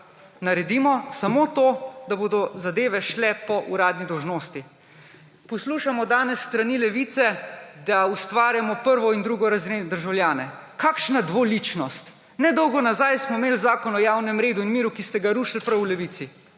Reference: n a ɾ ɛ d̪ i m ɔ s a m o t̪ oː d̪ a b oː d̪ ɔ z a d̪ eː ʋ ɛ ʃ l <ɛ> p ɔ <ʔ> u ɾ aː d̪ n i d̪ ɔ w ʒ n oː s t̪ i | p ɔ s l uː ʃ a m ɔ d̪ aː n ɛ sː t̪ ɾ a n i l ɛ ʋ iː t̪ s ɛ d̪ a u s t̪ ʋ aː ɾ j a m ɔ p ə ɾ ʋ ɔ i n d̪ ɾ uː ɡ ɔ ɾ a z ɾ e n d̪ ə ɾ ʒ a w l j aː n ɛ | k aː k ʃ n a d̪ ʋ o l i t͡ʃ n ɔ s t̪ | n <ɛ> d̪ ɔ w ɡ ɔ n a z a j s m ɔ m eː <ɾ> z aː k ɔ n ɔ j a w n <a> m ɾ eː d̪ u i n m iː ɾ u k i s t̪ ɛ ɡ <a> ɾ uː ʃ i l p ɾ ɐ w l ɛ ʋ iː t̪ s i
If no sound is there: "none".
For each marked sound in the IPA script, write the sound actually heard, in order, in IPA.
ɛ, ʔ, ɛ, l, ɛ, a

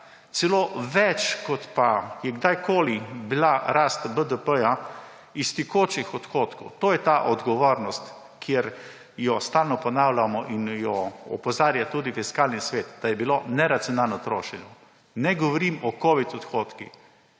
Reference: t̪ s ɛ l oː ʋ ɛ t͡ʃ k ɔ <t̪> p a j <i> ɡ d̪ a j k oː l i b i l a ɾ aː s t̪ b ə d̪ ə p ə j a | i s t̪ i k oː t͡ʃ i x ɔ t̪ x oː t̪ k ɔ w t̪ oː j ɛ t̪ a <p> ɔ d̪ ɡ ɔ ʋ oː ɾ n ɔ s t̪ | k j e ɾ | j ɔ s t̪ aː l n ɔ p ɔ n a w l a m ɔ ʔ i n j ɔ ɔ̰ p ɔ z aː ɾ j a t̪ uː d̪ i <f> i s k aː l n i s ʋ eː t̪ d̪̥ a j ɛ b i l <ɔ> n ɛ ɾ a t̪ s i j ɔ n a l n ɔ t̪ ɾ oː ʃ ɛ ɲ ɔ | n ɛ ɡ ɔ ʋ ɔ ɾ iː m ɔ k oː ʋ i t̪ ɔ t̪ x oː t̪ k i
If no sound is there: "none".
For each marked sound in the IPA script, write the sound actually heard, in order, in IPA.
t̪, ɛ, ʔ, f, o

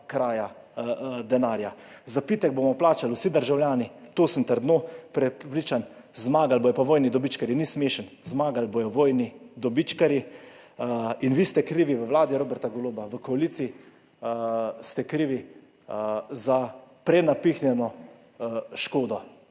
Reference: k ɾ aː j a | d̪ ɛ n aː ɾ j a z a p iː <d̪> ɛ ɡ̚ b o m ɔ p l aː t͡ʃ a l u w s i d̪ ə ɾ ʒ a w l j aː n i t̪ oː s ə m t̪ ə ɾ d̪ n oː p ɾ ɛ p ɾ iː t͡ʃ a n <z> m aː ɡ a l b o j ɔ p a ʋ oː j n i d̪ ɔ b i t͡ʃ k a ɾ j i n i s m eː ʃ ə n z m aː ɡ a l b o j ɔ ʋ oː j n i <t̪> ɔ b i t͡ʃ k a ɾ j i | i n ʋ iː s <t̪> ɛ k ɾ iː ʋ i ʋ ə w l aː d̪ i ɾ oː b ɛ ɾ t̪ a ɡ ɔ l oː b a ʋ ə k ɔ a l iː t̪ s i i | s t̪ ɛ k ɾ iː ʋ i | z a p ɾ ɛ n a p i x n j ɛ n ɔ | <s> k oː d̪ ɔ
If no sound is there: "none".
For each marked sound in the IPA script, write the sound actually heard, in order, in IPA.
t̪, z, d̪, t̪, ʃ

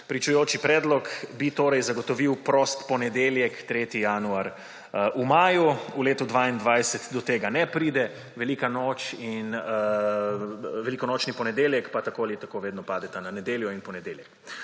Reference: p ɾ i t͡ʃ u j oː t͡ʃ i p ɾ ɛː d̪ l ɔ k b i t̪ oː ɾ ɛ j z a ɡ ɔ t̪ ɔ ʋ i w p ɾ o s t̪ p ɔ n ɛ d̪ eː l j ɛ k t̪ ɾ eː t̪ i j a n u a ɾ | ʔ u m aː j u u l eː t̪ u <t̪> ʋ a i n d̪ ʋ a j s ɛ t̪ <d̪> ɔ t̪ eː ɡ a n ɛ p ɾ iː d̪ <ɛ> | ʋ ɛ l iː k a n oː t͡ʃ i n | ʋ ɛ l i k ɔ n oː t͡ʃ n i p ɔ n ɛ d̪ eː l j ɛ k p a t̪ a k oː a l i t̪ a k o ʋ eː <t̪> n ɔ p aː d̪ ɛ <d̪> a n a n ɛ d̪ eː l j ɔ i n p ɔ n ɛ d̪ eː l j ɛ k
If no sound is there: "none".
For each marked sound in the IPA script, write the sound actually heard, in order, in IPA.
d̪, d̪, ɛ, d̪, t̪

